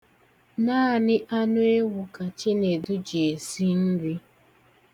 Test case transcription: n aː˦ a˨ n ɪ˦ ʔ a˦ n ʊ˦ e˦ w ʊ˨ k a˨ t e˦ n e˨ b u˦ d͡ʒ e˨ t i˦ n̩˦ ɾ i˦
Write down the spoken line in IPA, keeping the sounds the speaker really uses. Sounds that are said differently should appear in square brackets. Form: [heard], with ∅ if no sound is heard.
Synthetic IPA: n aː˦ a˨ n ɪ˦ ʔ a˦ n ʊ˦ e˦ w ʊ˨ k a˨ [t͡ʃ] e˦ n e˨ [d] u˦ d͡ʒ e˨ [s] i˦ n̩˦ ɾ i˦